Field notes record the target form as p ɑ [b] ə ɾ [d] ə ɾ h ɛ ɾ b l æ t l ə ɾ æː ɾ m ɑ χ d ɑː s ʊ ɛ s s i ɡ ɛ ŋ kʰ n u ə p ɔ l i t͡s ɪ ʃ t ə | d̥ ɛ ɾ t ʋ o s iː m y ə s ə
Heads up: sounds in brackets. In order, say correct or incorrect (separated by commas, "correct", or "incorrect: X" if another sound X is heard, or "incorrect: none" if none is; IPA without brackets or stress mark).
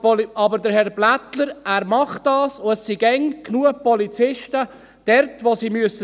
correct, correct